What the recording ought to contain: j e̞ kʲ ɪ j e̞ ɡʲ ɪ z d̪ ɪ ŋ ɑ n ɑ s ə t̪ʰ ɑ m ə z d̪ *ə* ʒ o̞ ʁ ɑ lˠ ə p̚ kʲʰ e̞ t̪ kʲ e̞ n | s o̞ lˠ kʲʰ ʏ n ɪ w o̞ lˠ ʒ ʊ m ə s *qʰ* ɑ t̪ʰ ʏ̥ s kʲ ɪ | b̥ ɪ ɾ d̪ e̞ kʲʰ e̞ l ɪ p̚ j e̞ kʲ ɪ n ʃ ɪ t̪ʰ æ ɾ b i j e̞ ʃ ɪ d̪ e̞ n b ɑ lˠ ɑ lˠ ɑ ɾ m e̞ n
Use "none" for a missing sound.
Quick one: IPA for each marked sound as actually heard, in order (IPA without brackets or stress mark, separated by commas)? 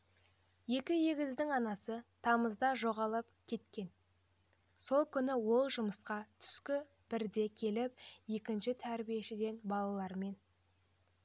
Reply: ɑ, q